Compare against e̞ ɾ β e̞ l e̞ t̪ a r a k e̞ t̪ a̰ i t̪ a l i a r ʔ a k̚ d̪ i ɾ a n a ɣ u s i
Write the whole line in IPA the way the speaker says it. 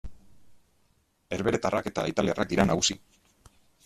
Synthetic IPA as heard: e̞ ɾ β e̞ ɾ e̞ t̪ a r a k e̞ t̪ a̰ i t̪ a l i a r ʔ a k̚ d̪ i ɾ a n a ɣ u s i